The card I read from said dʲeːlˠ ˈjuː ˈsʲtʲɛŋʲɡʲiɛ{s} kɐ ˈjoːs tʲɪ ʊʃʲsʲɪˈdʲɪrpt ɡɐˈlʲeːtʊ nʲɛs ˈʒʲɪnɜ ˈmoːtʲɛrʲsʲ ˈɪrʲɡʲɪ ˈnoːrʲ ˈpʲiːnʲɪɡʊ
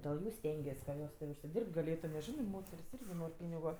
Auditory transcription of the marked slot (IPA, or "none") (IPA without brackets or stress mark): s